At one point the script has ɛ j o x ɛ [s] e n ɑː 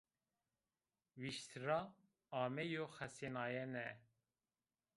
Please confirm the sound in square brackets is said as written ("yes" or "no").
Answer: yes